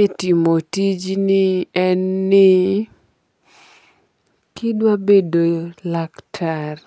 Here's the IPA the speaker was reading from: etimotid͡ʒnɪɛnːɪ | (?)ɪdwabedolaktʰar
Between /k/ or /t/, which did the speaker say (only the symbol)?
k